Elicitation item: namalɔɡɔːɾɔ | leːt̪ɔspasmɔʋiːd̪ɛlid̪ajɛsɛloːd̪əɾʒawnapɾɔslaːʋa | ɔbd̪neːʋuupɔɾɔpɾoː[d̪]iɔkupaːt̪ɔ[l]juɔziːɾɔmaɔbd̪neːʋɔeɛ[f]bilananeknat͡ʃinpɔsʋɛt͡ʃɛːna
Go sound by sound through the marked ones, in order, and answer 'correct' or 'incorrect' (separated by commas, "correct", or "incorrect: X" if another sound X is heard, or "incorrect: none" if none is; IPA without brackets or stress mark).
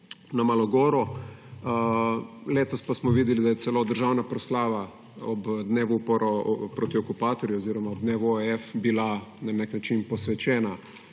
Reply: incorrect: t̪, incorrect: ɾ, correct